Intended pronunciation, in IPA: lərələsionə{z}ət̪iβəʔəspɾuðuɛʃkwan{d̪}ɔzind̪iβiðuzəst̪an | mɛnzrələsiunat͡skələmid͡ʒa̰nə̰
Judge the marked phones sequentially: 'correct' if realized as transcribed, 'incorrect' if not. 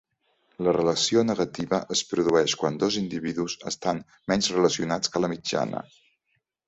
incorrect, correct

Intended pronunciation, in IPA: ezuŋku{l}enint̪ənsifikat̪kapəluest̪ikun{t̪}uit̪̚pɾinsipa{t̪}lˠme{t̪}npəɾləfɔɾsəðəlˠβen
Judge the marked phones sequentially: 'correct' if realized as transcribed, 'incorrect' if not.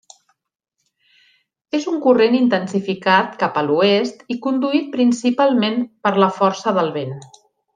incorrect, incorrect, incorrect, incorrect

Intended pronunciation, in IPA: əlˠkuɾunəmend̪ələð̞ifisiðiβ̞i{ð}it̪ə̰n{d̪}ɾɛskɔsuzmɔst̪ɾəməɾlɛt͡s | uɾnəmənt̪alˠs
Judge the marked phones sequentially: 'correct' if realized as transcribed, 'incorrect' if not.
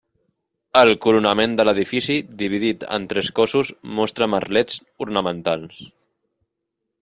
correct, incorrect

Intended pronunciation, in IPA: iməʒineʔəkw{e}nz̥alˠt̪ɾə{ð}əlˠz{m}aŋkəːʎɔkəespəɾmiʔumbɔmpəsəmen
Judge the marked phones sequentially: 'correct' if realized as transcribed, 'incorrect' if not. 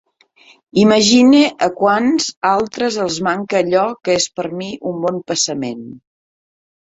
incorrect, incorrect, correct

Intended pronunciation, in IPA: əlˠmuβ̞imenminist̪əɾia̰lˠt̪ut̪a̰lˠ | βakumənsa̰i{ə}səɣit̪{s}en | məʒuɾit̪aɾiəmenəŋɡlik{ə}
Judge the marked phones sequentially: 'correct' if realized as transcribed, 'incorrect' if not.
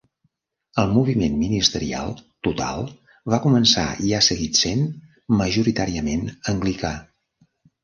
incorrect, correct, incorrect

